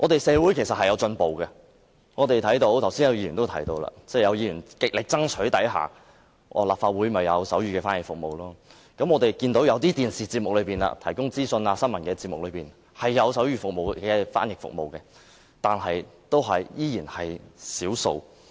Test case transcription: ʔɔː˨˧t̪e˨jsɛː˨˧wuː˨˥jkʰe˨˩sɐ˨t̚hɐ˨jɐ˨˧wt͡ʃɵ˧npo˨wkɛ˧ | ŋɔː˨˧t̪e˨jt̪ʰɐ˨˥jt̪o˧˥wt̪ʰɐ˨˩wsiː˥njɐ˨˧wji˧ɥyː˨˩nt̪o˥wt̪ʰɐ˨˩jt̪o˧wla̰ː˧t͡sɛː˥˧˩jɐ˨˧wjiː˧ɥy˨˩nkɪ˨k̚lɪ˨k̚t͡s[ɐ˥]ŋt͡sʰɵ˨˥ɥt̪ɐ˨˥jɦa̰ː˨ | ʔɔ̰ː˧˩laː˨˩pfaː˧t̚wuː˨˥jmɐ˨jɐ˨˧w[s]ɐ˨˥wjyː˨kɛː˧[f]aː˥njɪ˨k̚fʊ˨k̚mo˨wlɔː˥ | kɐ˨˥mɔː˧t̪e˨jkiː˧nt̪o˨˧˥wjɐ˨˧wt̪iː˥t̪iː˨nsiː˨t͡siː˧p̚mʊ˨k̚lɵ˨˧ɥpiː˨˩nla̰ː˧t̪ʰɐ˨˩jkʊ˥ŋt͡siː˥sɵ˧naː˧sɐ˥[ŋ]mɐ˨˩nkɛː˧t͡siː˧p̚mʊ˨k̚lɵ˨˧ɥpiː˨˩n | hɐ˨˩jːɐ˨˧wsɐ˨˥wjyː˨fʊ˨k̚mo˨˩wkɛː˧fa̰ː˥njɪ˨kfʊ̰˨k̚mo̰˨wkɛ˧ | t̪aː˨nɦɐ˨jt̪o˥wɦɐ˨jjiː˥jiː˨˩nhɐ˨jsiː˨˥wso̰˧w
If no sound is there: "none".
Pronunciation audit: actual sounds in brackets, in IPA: ɐ˥, s, f, n

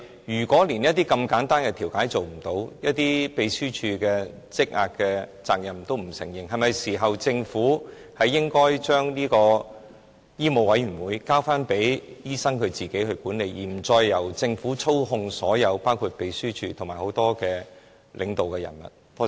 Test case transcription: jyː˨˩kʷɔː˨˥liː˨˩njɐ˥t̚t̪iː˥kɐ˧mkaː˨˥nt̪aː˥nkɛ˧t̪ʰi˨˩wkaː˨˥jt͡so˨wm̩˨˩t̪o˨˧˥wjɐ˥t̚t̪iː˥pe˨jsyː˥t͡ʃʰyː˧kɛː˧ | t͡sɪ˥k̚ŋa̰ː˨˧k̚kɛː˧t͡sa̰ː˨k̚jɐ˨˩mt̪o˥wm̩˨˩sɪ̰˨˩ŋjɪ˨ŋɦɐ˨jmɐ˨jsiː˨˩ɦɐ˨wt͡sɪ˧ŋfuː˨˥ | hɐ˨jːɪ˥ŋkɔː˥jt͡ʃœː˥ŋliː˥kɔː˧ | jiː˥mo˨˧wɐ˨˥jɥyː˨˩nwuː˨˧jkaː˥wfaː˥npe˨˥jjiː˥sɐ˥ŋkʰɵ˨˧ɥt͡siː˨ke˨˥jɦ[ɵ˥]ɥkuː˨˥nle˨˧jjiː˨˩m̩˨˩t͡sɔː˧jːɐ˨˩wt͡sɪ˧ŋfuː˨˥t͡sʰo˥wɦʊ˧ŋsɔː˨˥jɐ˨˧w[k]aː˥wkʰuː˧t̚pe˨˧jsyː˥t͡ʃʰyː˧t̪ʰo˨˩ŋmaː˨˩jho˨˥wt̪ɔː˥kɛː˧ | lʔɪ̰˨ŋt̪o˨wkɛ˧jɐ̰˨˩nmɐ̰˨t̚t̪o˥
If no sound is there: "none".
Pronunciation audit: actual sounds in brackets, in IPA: ɵ˧, p

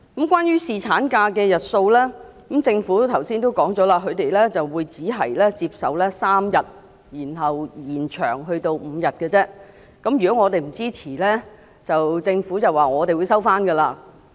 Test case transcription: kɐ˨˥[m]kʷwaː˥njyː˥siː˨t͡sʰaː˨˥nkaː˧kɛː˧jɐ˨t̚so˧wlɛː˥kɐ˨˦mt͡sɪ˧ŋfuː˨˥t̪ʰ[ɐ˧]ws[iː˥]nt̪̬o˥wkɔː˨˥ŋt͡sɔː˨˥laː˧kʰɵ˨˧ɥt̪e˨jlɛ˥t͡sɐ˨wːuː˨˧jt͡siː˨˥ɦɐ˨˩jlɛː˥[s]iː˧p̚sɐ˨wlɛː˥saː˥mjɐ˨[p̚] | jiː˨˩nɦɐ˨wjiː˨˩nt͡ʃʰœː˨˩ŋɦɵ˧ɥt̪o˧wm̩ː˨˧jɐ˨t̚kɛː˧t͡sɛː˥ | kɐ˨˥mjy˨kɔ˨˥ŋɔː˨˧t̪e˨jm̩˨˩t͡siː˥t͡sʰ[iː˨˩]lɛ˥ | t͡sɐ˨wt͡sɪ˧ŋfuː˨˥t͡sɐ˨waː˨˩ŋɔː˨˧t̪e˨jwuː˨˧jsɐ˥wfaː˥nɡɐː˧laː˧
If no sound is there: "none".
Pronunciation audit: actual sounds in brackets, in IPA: m, ɐ˨˩, iː˥, t͡s, t̚, iː˨˩

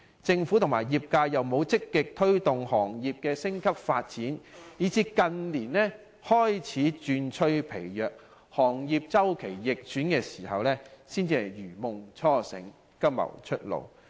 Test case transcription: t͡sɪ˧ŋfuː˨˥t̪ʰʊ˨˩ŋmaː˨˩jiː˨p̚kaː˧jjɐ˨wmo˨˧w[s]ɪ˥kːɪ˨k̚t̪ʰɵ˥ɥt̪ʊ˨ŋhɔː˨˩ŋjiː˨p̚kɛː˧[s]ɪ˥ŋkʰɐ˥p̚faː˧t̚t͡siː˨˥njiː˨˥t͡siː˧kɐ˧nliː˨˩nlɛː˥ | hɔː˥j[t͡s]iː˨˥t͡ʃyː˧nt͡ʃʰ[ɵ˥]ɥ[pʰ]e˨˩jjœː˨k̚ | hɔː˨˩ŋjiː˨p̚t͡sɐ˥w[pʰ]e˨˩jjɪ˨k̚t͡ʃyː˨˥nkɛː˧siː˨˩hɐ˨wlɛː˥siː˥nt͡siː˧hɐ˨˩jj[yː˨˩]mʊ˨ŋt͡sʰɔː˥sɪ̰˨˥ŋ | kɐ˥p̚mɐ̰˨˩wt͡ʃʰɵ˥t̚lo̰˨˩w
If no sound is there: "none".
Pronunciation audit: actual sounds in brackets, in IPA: t͡s, s, t͡sʰ, ɵ˥, pʰ, kʰ, yː˨˩

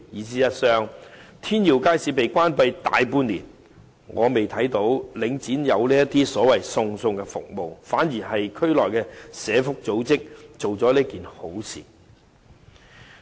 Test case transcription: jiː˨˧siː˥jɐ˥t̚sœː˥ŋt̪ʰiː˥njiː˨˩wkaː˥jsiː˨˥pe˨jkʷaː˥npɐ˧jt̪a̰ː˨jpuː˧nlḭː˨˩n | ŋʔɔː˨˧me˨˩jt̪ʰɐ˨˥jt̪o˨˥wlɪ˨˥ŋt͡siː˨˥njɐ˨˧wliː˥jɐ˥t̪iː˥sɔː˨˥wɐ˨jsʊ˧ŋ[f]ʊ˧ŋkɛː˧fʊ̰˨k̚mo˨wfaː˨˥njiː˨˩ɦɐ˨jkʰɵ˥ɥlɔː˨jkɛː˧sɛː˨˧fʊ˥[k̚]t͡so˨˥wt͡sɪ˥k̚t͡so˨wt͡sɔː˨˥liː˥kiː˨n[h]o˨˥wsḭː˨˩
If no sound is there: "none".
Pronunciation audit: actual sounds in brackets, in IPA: s, k̚, h

